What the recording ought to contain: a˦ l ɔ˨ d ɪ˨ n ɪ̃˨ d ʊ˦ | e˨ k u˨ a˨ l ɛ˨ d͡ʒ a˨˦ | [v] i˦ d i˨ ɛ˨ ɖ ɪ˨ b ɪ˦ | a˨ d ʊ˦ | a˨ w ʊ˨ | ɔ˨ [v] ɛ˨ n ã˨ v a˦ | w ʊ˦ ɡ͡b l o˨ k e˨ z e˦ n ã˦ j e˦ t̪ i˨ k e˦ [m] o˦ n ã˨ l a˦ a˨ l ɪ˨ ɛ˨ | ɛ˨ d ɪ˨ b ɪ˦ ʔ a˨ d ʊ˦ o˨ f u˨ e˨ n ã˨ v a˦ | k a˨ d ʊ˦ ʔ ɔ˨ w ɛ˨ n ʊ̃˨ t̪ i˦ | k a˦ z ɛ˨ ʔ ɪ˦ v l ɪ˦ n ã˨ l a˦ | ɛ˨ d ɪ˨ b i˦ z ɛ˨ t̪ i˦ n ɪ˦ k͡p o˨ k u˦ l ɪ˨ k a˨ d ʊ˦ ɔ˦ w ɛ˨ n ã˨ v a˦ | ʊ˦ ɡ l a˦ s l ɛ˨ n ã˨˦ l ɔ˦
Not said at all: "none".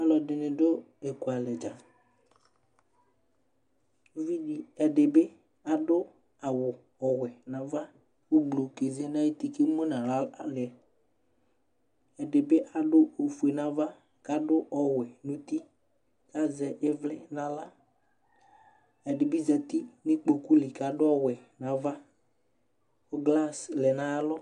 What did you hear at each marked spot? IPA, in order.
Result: v, w, m

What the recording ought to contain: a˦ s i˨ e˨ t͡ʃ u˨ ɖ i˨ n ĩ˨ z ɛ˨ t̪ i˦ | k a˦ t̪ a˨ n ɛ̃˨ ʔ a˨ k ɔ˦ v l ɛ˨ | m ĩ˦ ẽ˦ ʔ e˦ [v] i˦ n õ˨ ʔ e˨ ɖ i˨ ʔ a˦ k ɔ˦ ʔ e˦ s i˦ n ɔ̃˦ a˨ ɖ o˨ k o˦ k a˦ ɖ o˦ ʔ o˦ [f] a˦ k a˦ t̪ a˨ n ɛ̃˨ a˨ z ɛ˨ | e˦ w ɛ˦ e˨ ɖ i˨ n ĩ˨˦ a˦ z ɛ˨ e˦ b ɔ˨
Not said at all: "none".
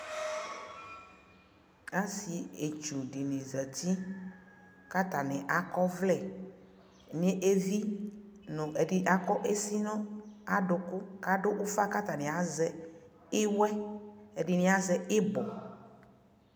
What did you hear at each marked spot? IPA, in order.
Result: v, f

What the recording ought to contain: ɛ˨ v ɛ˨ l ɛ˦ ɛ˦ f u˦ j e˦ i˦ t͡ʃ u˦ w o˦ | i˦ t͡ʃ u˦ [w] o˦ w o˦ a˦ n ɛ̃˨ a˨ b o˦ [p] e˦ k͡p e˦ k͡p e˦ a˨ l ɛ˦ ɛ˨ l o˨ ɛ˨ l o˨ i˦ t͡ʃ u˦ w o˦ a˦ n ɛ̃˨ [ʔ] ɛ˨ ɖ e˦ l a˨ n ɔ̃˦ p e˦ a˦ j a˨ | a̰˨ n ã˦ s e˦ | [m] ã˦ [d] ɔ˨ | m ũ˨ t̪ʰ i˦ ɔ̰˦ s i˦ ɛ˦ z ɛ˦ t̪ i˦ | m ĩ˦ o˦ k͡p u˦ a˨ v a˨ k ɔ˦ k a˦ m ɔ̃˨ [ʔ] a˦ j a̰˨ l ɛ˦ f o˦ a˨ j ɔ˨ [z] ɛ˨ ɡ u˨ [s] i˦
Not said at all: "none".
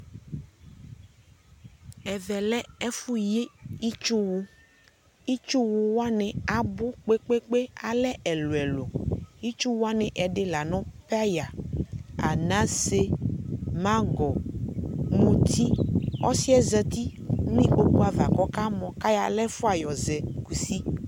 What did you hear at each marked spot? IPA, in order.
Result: w, k͡p, ʔ, m, ɡ, k, z, s

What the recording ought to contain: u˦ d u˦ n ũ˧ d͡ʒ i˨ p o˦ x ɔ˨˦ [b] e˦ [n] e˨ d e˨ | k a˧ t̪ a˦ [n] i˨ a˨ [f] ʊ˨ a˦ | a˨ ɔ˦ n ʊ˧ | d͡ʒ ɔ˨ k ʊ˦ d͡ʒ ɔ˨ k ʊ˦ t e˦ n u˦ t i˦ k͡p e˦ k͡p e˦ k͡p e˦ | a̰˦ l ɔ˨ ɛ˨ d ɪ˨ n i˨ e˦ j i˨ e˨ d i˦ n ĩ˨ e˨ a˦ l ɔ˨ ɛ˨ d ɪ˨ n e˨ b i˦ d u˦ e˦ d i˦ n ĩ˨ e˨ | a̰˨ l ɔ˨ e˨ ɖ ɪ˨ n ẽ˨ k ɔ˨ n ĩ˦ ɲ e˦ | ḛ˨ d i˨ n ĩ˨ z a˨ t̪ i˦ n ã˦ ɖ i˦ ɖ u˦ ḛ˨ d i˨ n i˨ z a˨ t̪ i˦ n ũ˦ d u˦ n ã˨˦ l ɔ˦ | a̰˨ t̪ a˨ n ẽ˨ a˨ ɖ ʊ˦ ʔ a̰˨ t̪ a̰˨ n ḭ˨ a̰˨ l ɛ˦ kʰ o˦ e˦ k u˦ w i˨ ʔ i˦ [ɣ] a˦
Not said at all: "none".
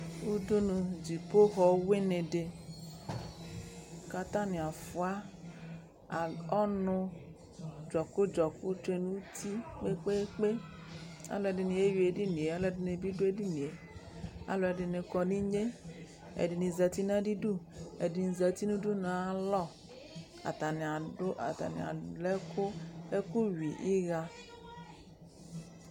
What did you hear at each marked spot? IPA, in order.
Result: w, n, n, f, ɣ

